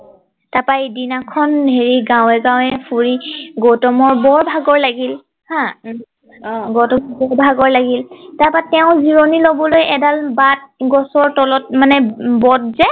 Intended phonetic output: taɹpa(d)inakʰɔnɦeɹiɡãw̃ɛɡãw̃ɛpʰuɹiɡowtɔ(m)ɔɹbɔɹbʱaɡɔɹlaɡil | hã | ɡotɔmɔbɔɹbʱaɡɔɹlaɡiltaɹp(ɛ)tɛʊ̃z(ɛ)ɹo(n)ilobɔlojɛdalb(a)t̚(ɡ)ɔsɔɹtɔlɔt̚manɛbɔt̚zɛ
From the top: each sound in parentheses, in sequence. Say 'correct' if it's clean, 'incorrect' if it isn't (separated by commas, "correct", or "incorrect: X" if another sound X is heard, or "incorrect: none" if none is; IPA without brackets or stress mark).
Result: correct, correct, incorrect: a, incorrect: i, correct, correct, correct